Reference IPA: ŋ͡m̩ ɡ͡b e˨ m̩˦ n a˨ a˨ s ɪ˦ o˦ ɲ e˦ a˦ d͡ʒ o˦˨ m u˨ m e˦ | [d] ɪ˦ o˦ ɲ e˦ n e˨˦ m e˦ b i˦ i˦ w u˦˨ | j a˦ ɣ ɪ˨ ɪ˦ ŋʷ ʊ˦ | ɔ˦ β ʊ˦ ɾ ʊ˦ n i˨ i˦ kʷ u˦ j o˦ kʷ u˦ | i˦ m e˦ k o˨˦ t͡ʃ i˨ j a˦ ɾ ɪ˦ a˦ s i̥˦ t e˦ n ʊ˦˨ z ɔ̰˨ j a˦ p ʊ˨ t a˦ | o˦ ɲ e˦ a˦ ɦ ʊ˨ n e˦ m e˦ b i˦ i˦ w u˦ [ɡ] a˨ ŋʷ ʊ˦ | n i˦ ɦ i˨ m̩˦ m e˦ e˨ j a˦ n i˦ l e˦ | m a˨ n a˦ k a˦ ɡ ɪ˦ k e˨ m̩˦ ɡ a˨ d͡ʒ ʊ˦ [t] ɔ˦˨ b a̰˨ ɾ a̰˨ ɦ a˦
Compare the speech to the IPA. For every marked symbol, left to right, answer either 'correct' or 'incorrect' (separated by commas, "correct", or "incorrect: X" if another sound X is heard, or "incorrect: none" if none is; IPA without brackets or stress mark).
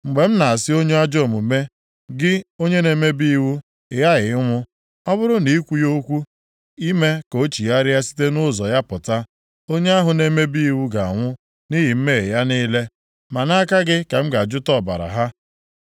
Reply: incorrect: ɡ, correct, correct